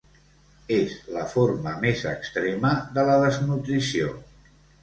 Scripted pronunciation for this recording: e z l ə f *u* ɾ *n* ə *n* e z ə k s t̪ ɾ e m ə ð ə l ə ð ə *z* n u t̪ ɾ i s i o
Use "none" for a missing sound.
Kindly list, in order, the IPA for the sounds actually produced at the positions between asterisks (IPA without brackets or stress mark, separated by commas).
o, m, m, z